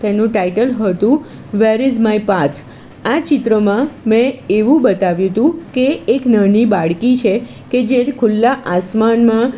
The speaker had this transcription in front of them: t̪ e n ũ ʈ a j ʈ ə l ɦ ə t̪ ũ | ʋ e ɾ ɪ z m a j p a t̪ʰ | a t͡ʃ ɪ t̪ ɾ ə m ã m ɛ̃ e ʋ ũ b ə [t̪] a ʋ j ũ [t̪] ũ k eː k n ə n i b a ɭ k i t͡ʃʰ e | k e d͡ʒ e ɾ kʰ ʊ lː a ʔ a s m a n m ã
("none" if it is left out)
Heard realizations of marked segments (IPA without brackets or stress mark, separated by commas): t̪, t̪